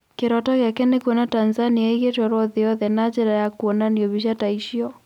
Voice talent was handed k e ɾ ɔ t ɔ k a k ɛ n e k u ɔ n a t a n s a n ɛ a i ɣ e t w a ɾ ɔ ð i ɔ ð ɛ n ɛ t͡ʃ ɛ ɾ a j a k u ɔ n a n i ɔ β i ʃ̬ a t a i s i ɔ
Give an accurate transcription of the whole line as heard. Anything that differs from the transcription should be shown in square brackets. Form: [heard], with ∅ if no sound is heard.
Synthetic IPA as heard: k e ɾ ɔ t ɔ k a k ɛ n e k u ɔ n a t a n [z] a n [i] a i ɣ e t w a ɾ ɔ ð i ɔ ð ɛ n [a] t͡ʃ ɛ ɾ a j a k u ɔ n a n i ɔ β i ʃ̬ a t a i [ʃ] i ɔ